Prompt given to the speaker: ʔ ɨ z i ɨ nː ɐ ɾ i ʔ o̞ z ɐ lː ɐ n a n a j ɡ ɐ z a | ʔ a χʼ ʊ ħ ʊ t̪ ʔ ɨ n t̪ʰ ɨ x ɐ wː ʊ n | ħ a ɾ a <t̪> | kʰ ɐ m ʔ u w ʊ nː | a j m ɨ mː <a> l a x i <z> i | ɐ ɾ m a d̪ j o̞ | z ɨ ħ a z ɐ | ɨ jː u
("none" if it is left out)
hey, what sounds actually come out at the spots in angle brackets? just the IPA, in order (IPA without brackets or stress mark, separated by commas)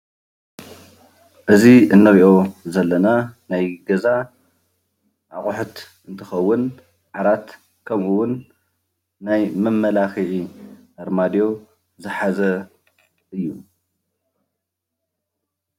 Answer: t̪, ɐ, ʕ